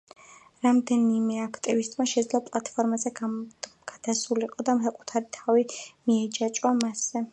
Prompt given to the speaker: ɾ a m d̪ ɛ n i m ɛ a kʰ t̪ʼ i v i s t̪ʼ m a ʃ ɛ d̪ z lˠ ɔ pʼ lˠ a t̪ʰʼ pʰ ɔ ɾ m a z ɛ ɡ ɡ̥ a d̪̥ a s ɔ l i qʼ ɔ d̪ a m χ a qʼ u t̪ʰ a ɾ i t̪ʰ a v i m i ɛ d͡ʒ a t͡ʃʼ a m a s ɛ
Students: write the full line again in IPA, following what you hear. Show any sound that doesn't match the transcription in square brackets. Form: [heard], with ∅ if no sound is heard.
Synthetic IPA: ɾ a m d̪ ɛ n i m ɛ a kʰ t̪ʼ i v i s t̪ʼ m a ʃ ɛ d̪ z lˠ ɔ pʼ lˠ a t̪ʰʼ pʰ ɔ ɾ m a z ɛ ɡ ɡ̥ a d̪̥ a s [u] l i qʼ ɔ d̪ a m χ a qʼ u t̪ʰ a ɾ i t̪ʰ a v i m i ɛ d͡ʒ a t͡ʃʼ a m a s ɛ